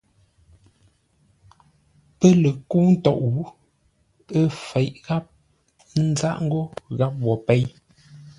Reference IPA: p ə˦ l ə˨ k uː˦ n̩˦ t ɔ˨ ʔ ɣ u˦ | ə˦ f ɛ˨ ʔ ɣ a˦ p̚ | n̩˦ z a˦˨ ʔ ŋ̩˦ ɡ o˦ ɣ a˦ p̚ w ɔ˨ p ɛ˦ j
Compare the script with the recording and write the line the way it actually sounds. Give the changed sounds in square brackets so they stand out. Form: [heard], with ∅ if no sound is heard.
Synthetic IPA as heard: p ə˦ l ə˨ k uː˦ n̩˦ t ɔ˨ ʔ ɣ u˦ | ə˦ f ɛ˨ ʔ ɣ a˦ p̚ | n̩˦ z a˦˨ ʔ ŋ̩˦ ɡ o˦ ɣ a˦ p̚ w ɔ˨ p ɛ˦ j